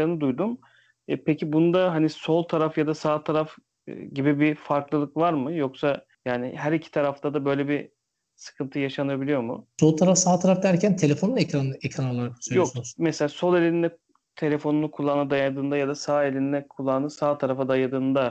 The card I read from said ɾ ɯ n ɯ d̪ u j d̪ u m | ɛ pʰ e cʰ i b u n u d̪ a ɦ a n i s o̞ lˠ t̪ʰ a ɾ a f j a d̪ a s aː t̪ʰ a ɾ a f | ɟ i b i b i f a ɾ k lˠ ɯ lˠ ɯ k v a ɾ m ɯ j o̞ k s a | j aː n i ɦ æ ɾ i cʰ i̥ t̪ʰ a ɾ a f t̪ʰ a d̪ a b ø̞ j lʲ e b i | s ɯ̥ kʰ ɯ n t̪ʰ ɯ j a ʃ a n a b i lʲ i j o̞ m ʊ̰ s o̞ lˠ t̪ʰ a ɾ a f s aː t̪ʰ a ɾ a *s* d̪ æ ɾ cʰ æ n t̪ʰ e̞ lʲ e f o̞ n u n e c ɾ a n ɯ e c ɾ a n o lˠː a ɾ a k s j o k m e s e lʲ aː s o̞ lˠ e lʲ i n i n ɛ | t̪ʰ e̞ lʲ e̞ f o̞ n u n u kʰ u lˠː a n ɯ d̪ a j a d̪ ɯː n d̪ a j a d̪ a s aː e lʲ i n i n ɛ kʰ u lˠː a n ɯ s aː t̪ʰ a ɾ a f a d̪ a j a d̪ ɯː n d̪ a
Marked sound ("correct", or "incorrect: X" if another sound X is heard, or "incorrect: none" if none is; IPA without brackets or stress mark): incorrect: f